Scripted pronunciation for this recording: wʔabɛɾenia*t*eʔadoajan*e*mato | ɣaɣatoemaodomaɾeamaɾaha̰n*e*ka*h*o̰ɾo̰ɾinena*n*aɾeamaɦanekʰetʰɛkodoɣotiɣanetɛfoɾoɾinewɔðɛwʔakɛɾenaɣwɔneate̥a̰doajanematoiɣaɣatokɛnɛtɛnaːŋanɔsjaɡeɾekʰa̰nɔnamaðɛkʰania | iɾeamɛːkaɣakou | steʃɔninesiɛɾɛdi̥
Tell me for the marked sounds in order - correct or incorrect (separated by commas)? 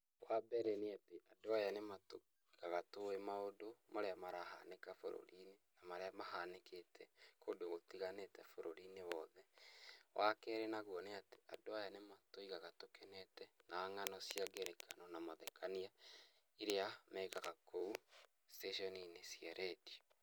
correct, correct, correct, incorrect, incorrect